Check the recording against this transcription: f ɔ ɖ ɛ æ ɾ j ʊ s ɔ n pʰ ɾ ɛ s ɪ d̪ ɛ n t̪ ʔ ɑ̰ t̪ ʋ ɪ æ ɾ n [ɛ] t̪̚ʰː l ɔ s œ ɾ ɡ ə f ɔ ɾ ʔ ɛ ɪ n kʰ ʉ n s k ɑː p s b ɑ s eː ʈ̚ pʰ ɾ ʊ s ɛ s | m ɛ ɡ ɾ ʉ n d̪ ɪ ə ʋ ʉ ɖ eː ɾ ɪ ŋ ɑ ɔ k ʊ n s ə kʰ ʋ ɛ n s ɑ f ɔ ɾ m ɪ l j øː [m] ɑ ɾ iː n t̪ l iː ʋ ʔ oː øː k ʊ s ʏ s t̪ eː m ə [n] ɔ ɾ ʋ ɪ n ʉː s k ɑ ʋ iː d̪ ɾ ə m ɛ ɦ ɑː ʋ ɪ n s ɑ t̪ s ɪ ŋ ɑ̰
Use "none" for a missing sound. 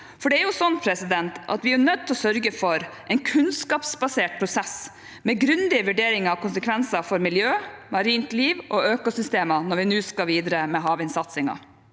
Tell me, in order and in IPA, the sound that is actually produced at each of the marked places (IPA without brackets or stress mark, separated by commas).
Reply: œ, m, n